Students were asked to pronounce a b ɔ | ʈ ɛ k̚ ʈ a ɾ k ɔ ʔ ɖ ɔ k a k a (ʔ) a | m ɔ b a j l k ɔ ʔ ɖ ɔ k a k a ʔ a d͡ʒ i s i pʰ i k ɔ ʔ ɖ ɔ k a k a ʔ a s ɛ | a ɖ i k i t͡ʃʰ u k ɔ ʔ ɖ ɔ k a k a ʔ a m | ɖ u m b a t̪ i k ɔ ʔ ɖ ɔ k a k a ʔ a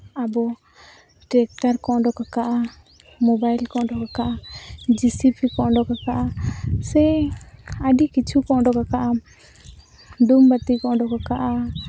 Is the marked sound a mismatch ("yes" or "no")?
no